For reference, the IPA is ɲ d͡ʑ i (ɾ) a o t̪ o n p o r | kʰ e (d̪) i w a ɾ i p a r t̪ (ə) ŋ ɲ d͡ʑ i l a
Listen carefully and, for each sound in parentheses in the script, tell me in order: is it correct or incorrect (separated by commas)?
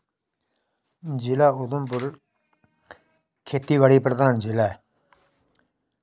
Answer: incorrect, incorrect, incorrect